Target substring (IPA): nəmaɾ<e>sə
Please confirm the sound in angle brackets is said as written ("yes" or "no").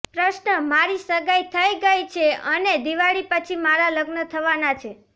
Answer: no